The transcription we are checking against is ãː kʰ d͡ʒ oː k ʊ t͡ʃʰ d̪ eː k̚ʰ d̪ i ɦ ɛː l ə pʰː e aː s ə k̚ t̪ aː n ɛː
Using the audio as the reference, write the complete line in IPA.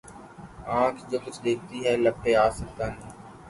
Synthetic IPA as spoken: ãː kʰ d͡ʒ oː k ʊ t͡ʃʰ d̪ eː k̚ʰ t̪ i ɦ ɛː l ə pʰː e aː s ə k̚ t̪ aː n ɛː